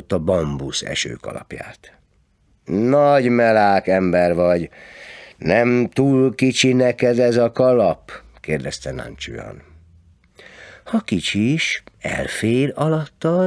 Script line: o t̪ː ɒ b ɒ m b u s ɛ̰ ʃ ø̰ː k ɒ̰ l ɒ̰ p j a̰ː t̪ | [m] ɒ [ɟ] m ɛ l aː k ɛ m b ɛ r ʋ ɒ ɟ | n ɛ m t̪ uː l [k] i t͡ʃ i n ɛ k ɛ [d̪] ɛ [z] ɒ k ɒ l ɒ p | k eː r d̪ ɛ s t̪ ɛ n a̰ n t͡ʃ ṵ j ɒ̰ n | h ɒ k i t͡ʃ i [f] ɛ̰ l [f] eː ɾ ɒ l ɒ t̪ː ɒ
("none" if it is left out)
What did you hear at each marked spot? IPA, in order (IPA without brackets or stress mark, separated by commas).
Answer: n, ɟ, k, d̪, z, ʃ, f